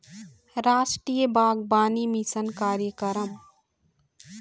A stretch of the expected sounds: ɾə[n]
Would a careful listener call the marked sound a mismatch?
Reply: yes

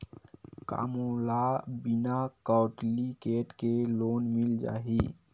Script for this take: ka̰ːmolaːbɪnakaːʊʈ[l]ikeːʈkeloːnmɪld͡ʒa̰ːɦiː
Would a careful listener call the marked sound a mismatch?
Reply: no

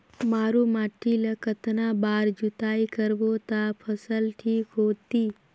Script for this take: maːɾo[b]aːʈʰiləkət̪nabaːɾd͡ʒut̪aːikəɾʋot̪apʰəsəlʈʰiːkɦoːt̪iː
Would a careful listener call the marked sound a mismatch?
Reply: yes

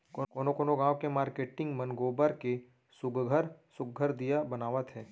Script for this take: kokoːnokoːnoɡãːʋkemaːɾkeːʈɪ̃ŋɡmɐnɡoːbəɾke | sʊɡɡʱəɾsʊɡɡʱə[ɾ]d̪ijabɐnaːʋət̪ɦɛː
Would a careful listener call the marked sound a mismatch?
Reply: no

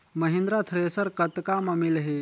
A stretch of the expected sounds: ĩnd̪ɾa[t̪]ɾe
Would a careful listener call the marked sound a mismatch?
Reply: yes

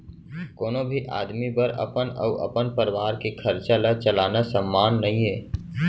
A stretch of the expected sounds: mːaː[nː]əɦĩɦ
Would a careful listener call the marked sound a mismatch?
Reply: no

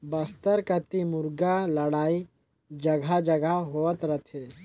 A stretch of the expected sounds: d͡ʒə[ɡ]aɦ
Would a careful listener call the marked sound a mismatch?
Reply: no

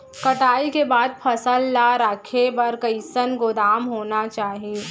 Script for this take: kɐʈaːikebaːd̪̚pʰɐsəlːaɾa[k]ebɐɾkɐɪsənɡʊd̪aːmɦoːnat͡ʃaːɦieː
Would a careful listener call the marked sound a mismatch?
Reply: yes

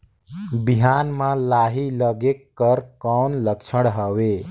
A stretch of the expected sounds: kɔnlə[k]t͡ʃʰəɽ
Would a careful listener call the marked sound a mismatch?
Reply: no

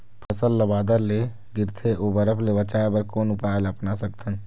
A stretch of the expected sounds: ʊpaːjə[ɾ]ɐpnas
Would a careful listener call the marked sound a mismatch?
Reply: yes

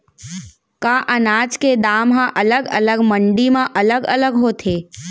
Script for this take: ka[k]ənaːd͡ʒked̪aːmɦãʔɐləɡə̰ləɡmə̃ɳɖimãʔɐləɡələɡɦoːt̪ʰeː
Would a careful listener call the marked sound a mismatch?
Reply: yes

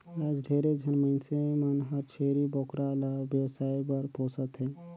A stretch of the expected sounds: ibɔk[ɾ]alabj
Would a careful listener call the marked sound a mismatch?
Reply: no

